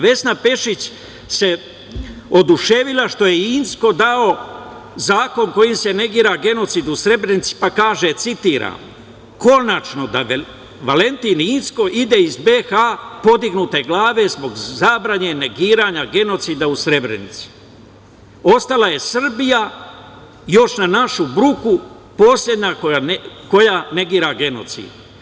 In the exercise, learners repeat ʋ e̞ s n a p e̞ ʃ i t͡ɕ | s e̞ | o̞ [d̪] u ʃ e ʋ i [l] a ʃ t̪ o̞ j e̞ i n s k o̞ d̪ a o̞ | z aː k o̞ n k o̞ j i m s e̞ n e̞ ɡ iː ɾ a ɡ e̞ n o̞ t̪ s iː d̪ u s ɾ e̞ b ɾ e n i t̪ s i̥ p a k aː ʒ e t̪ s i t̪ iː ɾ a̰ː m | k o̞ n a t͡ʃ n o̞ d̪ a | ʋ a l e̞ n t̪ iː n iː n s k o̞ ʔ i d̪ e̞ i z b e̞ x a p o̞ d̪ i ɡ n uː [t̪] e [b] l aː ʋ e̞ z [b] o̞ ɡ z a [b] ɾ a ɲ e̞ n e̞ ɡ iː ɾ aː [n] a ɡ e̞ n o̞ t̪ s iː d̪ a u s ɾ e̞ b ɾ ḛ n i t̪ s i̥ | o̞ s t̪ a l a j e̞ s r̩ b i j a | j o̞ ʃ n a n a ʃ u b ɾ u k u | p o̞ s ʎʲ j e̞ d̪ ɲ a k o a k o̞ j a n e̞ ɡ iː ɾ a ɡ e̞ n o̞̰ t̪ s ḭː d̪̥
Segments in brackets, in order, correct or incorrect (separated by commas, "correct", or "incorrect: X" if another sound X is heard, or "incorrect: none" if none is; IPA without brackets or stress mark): correct, correct, correct, incorrect: ɡ, correct, correct, incorrect: ɲ